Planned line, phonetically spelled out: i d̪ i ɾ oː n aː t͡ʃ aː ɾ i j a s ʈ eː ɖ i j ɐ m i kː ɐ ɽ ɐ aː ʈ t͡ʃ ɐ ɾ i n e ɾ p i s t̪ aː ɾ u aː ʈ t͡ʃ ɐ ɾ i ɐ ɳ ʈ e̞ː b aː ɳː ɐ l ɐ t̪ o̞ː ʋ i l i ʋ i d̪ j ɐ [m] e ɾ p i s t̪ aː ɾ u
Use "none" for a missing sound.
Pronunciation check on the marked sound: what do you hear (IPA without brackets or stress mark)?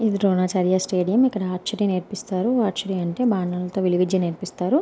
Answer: n